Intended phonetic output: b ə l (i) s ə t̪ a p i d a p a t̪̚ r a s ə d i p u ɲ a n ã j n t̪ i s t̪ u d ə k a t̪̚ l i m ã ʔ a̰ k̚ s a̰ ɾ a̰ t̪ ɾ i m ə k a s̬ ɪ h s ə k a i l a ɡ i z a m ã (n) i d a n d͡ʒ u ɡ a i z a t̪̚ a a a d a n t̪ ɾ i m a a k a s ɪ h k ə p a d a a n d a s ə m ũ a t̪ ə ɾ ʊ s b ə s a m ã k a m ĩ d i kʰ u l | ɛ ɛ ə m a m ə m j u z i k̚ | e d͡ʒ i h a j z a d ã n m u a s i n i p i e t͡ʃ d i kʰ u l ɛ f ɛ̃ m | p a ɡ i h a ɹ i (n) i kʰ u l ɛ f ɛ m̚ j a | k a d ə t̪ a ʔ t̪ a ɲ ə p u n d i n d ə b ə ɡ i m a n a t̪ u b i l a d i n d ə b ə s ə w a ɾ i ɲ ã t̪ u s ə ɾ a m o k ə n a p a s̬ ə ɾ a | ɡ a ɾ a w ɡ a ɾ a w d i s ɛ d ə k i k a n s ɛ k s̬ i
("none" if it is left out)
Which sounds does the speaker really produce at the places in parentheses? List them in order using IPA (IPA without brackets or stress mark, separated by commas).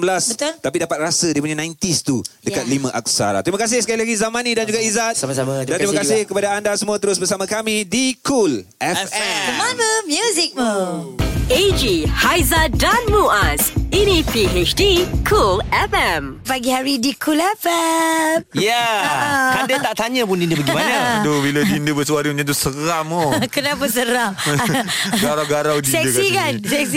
a, n, d